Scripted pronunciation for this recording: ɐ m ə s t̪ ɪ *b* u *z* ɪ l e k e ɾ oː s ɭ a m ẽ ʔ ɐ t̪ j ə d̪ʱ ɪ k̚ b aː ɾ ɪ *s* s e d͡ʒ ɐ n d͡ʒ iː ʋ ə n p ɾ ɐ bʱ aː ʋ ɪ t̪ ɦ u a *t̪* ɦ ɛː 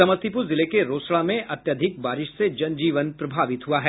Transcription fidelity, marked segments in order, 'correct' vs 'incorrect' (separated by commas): incorrect, correct, incorrect, incorrect